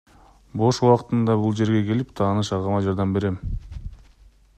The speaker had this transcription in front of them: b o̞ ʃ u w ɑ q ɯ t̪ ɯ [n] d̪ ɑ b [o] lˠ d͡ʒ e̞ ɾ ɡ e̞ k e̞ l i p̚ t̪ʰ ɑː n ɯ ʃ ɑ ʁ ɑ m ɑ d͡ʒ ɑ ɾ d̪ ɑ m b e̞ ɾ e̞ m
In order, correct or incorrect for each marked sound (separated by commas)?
correct, incorrect